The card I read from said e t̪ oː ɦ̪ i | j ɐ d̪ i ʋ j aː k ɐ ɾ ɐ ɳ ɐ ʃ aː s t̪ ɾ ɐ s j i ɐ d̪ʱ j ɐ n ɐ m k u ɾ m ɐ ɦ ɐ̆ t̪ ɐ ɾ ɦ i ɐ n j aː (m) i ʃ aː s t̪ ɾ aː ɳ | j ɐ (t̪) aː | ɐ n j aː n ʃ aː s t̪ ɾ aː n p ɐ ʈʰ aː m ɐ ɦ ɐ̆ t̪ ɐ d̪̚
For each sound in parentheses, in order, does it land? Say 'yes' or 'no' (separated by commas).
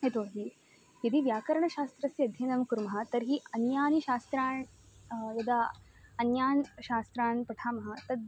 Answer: no, no